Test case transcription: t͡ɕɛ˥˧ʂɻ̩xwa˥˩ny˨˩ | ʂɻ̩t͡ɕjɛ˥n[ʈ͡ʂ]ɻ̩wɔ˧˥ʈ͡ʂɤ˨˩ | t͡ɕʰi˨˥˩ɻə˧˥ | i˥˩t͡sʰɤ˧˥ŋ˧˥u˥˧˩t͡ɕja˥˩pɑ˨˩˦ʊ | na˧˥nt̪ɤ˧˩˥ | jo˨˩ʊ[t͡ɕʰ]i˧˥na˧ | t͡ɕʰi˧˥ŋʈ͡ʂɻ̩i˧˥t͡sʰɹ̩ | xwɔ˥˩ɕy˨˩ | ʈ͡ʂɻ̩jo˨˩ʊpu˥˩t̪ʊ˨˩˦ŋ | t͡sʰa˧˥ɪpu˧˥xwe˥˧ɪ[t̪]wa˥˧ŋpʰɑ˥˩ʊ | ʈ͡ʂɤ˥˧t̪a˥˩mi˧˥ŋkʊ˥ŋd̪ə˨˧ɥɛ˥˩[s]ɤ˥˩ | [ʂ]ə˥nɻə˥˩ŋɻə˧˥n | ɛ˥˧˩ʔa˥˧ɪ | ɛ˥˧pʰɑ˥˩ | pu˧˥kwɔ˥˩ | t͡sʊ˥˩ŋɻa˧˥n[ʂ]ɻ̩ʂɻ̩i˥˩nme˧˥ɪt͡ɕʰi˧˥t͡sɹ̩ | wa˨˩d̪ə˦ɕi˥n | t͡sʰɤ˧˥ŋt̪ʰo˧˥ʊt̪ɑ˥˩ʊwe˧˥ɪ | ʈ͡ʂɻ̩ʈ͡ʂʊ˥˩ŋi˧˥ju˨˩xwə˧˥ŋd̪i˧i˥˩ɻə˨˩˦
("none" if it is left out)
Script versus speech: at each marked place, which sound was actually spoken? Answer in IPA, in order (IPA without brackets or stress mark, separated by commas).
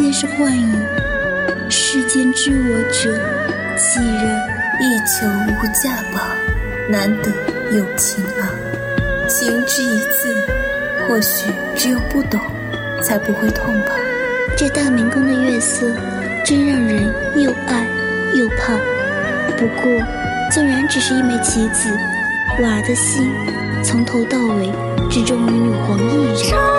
ʈ͡ʂ, t͡ɕʰ, t̪ʰ, s, ʈ͡ʂ, ʈ͡ʂ